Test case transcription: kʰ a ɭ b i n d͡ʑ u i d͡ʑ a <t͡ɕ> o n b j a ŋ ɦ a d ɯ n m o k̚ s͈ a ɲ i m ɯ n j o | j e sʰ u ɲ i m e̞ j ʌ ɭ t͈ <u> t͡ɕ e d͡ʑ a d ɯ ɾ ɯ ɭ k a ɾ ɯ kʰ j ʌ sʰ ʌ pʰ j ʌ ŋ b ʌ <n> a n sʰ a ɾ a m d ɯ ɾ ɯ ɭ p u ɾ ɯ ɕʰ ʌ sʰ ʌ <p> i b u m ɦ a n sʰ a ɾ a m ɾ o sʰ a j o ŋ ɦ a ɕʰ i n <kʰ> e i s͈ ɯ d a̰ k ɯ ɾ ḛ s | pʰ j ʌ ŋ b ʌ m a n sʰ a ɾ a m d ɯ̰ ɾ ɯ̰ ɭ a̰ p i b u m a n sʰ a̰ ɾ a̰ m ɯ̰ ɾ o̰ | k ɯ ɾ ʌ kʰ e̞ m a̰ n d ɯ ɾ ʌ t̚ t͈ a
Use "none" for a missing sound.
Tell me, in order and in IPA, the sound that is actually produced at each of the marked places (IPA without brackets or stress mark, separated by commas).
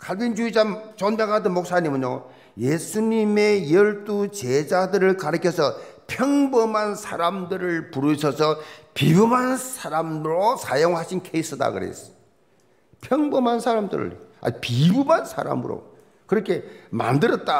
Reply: t͡ɕ, u, m, p, kʰ